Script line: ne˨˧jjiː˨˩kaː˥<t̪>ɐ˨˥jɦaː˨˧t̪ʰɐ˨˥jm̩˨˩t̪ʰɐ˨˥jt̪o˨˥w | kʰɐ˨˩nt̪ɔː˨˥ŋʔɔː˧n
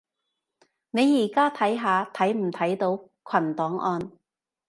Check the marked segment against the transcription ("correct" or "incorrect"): incorrect